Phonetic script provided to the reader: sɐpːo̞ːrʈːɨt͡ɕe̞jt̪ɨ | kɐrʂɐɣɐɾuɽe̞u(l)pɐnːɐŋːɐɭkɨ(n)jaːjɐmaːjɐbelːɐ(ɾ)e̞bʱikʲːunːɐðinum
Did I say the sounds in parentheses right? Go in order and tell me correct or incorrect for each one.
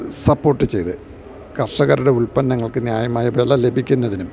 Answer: incorrect, correct, incorrect

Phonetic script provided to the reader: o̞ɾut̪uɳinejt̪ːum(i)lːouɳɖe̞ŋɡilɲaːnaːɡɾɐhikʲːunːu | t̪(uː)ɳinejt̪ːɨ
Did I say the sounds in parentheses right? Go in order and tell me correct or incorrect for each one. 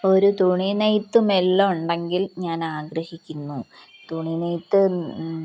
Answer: incorrect, incorrect

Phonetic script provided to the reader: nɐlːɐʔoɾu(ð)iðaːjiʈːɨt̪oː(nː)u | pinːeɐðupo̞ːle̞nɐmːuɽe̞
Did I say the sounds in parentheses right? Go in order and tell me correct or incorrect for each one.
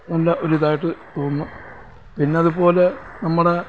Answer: incorrect, correct

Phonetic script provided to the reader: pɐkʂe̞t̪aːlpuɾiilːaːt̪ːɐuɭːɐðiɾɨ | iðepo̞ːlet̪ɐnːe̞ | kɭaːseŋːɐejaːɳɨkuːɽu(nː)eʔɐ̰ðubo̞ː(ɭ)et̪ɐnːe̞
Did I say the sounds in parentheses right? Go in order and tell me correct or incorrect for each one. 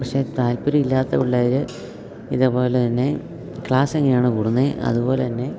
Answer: correct, incorrect

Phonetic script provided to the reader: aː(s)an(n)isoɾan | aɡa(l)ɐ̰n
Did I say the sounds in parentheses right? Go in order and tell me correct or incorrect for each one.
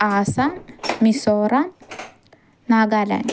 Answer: correct, incorrect, correct

